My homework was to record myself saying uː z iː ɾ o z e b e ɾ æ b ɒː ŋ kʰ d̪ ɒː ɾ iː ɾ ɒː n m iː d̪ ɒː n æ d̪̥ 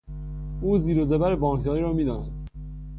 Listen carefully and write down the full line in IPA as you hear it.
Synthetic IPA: uː z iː ɾ o z e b æ ɾ e b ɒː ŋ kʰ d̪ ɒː ɾ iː ɾ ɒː m iː d̪ ɒː n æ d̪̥